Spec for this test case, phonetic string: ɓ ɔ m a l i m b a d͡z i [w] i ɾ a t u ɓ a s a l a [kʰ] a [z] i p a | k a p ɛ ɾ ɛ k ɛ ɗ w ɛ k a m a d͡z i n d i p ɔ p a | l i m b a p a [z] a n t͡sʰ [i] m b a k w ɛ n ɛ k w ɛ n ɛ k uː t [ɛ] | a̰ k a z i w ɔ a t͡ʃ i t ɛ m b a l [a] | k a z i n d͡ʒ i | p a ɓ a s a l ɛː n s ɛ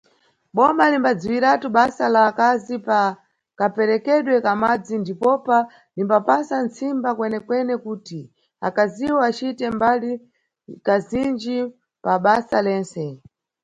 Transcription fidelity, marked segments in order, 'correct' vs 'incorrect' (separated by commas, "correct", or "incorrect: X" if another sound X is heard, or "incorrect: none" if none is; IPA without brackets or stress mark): correct, incorrect: k, correct, incorrect: s, correct, incorrect: i, incorrect: i